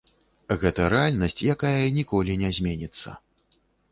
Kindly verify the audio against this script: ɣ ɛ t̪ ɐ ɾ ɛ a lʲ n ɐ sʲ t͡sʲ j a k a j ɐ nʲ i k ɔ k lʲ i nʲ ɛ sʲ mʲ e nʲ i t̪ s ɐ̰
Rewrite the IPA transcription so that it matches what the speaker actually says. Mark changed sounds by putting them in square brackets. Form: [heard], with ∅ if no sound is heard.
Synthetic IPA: ɣ ɛ t̪ ɐ ɾ ɛ a lʲ n ɐ sʲ t͡sʲ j a k a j ɐ nʲ i k ɔ [∅] lʲ i nʲ ɛ [zʲ] mʲ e nʲ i t̪ [sː] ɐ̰